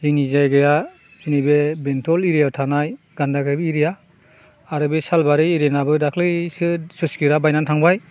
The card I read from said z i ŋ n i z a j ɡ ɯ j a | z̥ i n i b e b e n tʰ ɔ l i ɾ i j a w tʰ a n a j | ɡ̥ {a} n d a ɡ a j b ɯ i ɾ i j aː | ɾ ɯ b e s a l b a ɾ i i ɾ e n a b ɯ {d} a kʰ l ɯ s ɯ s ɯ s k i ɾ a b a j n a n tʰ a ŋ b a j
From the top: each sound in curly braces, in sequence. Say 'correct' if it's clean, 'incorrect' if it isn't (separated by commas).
correct, correct